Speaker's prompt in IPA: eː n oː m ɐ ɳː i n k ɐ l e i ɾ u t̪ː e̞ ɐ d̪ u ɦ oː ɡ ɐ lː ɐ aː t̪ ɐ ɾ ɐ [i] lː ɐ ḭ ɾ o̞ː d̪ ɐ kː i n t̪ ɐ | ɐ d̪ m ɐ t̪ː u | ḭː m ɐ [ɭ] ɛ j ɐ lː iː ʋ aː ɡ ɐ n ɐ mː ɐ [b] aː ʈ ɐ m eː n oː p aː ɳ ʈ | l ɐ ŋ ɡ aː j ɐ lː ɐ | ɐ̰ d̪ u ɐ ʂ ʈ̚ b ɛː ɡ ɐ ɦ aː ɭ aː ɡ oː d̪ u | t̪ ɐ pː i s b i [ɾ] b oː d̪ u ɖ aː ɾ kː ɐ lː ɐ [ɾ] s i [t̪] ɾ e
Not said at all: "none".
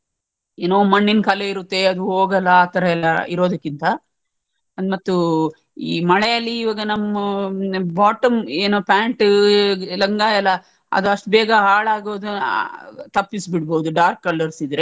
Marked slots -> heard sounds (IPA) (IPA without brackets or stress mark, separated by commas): ɛ, ɭ, b, ɽ, ɾ, d̪